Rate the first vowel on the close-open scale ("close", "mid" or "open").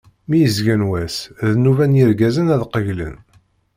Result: close